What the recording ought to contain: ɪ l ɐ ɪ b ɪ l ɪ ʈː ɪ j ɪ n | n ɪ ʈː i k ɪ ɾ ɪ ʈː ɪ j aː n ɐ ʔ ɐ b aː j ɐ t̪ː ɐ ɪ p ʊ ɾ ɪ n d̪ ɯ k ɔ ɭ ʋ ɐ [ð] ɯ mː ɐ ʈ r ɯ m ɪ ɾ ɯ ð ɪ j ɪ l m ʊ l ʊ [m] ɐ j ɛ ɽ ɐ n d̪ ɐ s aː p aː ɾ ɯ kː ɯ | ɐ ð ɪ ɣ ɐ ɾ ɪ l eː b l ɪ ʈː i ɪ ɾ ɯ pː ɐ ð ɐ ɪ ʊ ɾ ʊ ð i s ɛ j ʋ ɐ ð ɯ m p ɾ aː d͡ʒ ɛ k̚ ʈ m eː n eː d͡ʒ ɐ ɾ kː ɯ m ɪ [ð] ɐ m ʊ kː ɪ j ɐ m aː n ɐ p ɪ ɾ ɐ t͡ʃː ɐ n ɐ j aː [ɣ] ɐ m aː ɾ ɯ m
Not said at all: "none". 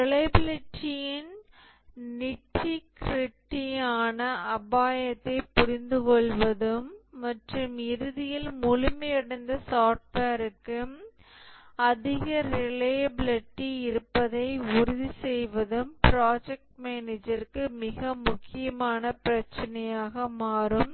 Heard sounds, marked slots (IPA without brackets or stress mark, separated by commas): ð, m, ɣ, ɣ